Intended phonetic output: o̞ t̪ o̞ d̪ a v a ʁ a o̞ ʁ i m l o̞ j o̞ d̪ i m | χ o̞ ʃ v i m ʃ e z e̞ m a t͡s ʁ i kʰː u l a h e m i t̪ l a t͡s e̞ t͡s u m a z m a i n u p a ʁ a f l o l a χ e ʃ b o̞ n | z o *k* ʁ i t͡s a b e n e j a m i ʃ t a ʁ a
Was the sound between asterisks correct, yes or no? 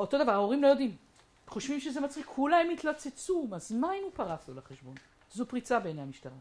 no